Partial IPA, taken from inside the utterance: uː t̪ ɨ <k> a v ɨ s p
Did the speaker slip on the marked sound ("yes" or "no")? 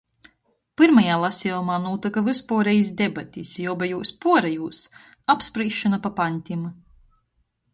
no